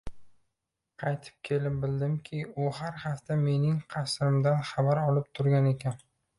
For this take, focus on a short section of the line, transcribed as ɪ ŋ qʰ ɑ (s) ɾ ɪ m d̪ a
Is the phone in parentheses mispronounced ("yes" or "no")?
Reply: no